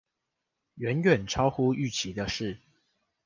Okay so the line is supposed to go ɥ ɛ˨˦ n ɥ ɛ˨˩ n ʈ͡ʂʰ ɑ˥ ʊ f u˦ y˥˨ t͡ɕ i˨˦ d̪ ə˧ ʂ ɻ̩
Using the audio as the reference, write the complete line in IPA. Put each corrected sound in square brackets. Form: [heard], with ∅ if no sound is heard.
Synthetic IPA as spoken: ɥ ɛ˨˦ n ɥ ɛ˨˩ n ʈ͡ʂʰ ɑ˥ ʊ [x] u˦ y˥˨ [t͡ɕʰ] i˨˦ d̪ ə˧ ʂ ɻ̩